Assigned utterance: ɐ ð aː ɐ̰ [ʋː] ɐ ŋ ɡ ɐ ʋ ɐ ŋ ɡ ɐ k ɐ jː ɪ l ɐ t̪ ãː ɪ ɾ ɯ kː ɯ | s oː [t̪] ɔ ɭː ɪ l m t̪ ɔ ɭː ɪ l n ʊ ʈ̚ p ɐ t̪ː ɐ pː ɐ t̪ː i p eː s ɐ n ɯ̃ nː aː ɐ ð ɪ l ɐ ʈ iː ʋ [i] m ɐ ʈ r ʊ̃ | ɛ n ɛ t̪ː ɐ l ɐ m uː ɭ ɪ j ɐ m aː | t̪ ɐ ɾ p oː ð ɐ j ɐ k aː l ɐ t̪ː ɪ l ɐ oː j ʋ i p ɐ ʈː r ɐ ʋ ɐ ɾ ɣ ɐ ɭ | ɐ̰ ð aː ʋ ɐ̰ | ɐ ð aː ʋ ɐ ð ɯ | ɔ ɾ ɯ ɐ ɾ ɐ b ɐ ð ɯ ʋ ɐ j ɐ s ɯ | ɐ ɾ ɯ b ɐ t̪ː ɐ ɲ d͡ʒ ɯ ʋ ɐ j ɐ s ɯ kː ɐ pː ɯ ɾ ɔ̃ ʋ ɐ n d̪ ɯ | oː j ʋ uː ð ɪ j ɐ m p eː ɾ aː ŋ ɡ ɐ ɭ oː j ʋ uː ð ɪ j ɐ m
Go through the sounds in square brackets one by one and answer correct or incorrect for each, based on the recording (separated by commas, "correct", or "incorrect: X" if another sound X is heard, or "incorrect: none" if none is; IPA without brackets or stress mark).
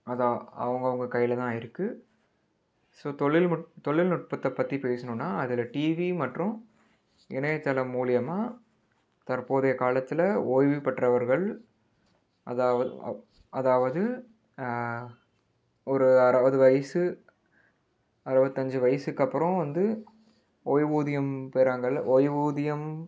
incorrect: ʋ, correct, correct